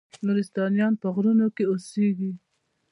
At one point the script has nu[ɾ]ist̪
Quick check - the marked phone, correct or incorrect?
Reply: correct